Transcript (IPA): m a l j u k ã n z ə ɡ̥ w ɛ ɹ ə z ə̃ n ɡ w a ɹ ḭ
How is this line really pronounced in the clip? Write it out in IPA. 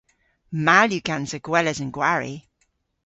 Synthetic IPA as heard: m a l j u k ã n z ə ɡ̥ w ɛ l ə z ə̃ n ɡ w a ɹ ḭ